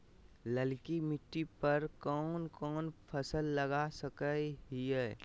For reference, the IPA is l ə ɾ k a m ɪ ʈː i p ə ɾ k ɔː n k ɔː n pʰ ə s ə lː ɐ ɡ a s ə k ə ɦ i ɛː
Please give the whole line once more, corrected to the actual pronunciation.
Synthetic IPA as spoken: l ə l k i m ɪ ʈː i p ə ɾ k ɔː n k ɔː n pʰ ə s ə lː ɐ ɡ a s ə k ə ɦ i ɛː